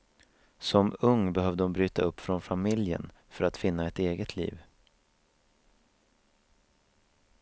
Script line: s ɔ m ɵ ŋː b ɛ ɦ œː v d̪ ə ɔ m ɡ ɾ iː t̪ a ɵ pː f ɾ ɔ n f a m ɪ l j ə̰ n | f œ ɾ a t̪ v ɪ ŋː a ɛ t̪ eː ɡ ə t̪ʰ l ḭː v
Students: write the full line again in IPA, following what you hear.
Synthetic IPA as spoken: s ɔ m ɵ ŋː b ɛ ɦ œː v d̪ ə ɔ m b ɾ yː t̪ a ɵ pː f ɾ ɔ n f a m ɪ l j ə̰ n | f œ ɾ a t̪ f ɪ nː a ɛ t̪ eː ɡ ə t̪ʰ l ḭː v